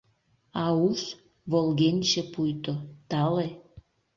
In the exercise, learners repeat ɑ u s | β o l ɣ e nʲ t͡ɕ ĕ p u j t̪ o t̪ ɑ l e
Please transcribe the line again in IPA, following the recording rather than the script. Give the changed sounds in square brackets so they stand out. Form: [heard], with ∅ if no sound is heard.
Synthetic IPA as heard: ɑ u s | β o l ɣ e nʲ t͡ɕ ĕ p u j t̪ o t̪ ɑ l e